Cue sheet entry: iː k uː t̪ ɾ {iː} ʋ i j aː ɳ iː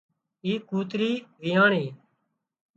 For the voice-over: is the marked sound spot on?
yes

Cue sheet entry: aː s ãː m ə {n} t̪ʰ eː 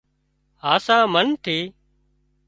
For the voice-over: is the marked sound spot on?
yes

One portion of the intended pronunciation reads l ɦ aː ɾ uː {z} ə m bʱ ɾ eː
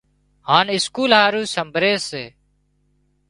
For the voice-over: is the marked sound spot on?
no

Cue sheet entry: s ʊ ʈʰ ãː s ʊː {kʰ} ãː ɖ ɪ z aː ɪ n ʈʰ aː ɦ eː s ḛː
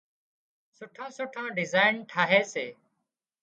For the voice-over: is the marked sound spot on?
no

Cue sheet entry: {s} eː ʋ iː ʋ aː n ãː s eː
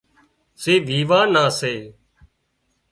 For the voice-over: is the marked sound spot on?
yes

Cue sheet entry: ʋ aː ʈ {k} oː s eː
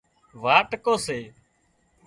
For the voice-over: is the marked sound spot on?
yes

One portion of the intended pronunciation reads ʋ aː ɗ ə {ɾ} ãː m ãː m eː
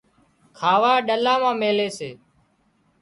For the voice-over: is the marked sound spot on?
no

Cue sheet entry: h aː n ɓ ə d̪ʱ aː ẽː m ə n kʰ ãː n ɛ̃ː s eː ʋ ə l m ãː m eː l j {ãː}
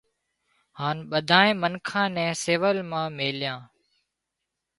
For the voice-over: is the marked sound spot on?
yes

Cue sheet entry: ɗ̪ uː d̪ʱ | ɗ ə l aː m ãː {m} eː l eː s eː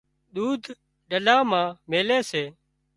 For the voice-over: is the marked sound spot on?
yes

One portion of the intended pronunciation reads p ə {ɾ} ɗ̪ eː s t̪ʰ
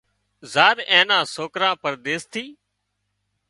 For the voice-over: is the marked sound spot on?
yes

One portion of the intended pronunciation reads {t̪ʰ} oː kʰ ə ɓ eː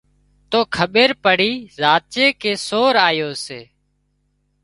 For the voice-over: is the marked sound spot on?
no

